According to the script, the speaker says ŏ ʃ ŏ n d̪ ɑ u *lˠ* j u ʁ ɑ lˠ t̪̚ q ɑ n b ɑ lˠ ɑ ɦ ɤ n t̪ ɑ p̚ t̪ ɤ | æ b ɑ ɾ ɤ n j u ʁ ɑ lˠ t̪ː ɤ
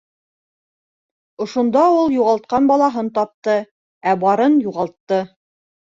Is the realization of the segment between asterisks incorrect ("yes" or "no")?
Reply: no